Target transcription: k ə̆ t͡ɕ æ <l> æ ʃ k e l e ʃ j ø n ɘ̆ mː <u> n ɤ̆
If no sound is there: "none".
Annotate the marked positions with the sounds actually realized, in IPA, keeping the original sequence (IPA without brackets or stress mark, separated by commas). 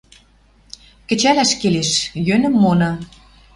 l, o